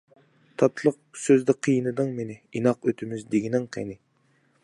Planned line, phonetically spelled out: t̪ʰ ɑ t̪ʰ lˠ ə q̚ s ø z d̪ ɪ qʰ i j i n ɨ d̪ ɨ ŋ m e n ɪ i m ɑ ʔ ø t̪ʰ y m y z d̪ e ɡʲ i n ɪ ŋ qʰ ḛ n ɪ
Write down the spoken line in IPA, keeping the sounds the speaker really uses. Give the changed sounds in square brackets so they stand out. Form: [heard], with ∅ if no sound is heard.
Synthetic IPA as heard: t̪ʰ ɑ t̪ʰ lˠ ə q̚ s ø z d̪ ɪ qʰ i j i n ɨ d̪ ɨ ŋ m e n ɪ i [n] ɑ [q] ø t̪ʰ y m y z d̪ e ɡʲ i n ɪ ŋ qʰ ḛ n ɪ